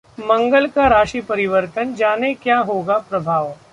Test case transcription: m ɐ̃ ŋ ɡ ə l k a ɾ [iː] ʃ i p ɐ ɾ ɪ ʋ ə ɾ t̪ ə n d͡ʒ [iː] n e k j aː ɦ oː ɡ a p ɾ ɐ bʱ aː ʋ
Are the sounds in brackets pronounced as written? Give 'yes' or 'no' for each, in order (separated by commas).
no, no